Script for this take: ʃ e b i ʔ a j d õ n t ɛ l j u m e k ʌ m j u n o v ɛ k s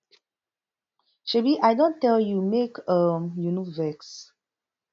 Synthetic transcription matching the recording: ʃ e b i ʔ a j d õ n t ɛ l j u m e k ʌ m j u n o v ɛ k s